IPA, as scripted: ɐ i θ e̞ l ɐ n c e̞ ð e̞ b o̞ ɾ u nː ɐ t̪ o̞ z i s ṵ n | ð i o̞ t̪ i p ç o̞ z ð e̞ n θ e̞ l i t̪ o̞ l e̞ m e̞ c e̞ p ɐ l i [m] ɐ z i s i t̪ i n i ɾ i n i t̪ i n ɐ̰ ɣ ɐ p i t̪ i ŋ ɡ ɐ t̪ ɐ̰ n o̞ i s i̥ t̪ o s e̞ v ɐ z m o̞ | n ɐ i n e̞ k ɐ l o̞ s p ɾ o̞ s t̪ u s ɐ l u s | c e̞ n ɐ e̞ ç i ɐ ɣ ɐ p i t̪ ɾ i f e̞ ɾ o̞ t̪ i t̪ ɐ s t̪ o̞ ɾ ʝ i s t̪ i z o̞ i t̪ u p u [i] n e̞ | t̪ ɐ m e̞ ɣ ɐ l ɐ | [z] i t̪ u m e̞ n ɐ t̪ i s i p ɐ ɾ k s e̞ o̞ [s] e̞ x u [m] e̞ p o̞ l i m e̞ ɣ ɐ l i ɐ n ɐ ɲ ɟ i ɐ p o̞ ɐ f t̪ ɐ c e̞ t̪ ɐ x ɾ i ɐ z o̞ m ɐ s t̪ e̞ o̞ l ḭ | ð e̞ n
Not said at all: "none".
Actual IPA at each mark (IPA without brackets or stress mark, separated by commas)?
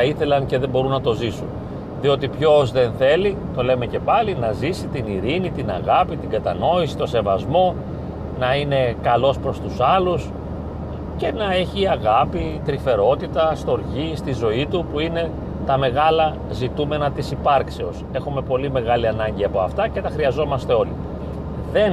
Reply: n, i, z, s, m